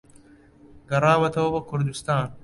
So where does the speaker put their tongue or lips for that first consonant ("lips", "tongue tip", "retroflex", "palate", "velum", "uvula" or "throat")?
velum